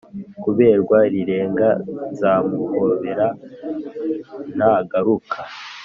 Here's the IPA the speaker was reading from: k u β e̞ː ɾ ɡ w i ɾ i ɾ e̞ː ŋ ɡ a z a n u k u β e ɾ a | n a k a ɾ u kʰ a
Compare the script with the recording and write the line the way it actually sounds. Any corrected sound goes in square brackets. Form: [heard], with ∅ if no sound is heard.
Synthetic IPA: k u β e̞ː ɾ ɡ w [a] ɾ i ɾ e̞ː ŋ ɡ a z a [m] u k [o] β e ɾ a | n a [ɡ] a ɾ u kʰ a